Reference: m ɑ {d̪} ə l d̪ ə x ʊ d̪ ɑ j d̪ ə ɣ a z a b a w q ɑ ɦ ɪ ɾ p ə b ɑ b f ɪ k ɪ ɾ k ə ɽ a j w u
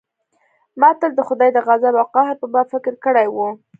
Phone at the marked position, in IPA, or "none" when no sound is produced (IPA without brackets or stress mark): t̪